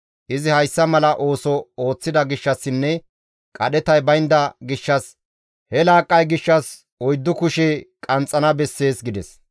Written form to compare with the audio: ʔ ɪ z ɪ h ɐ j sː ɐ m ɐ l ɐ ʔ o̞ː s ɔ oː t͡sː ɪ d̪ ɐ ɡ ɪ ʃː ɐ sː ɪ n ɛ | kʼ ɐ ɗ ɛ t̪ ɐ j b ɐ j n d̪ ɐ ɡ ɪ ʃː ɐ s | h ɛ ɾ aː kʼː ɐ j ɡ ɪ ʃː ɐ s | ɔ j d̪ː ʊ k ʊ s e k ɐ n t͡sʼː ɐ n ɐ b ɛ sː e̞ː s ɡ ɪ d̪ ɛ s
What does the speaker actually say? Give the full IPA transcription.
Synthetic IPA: ʔ ɪ z ɪ h ɐ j sː ɐ m ɐ l ɐ ʔ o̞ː s ɔ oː t͡sː ɪ d̪ ɐ ɡ ɪ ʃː ɐ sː ɪ nː ɛ | kʼ ɐ ɗ ɛ t̪ ɐ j b ɐ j n d̪ ɐ ɡ ɪ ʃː ɐ s | h ɛ l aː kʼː ɐ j ɡ ɪ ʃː ɐ s | ɔ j d̪ː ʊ k ʊ ʃ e kʼ ɐ n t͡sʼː ɐ n ɐ b ɛ sː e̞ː s ɡ ɪ d̪ ɛ s